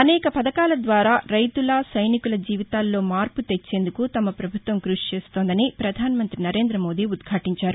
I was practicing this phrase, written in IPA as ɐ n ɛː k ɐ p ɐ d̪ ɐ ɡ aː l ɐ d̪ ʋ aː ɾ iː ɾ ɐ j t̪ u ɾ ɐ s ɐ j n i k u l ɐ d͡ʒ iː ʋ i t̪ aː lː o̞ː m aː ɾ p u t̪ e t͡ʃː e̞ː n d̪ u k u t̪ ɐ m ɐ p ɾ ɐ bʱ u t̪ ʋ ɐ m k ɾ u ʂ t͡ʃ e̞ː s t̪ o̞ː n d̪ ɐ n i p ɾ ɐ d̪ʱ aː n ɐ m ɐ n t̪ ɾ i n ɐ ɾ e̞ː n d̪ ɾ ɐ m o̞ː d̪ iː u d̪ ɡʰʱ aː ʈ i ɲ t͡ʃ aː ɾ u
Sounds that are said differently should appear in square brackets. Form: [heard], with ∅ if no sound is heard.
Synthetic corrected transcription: ɐ n ɛː k ɐ p ɐ d̪ ɐ [k] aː l ɐ d̪ ʋ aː ɾ [aː] ɾ ɐ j t̪ u [l] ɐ s ɐ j n i k u l ɐ d͡ʒ iː ʋ i t̪ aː lː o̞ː m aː ɾ p u t̪ e t͡ʃː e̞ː n d̪ u k u t̪ ɐ m ɐ p ɾ ɐ bʱ u t̪ ʋ ɐ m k ɾ u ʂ t͡ʃ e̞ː s t̪ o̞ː n d̪ ɐ n i p ɾ ɐ d̪ʱ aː n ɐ m ɐ n t̪ ɾ i n ɐ ɾ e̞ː n d̪ ɾ ɐ m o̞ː d̪ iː u d̪ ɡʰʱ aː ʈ i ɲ t͡ʃ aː ɾ u